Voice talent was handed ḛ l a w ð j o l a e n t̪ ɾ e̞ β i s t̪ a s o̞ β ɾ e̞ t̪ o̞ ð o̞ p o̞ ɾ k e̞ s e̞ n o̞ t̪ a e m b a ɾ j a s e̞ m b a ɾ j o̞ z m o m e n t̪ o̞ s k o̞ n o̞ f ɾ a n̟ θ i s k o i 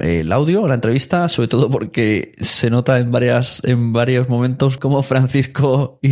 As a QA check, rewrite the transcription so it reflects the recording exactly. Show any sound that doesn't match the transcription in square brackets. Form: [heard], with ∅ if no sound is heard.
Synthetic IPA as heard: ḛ l a w ð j o l a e n t̪ ɾ e̞ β i s t̪ a s o̞ β ɾ e̞ t̪ o̞ ð o̞ p o̞ ɾ k e̞ s e̞ n o̞ t̪ a e m b a ɾ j a s e̞ m b a ɾ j o̞ z m o m [ẽ] n t̪ o̞ s k o̞ [m] o̞ f ɾ a n̟ θ i s k o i